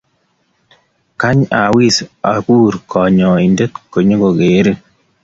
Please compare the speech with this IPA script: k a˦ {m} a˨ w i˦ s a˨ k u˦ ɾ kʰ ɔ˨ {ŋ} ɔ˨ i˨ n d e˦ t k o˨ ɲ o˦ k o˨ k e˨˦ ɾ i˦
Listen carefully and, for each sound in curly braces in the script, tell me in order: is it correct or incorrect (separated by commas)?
incorrect, incorrect